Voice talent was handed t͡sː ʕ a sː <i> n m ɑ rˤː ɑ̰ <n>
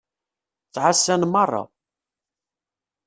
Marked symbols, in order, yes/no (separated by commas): no, no